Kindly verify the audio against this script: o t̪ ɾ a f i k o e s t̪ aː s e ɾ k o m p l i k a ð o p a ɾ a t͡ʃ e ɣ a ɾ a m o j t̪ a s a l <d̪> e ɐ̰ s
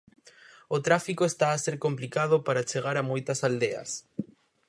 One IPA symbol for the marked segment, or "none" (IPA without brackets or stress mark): d̪